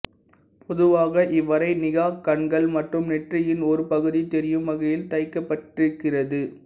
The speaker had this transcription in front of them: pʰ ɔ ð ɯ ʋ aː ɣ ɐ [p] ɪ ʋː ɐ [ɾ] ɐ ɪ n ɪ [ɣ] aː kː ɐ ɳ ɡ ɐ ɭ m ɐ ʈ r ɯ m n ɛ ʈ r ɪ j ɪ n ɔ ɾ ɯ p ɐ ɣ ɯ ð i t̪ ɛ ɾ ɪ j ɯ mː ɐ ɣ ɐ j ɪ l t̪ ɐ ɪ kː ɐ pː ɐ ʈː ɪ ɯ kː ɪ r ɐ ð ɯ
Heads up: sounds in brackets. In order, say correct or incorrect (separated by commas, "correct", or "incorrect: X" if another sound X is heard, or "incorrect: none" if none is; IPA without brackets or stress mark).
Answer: incorrect: ʔ, correct, correct